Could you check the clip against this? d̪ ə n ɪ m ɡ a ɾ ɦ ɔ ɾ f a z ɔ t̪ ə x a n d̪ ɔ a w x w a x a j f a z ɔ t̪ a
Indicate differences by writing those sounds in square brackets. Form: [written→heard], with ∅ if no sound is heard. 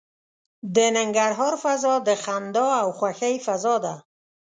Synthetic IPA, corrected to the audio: d̪ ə n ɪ [m→ŋ] ɡ a ɾ ɦ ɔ ɾ f a z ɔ [t̪→d̪] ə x a n d̪ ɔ a w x w a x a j f a z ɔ [t̪→d̪] a